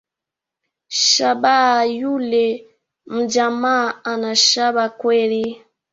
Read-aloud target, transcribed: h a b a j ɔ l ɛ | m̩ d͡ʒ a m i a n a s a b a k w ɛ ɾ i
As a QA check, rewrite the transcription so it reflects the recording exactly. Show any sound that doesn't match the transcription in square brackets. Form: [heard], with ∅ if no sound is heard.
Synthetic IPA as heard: [ʃ] a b a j [u] l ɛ | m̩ d͡ʒ a m [a] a n a [ʃ] a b a k w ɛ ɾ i